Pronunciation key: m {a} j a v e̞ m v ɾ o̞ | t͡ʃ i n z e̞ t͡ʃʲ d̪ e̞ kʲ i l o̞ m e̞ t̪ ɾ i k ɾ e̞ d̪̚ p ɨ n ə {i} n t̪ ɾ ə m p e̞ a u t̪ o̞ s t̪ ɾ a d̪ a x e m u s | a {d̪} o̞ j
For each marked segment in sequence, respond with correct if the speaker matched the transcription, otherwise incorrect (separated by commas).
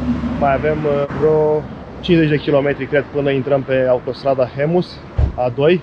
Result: correct, correct, correct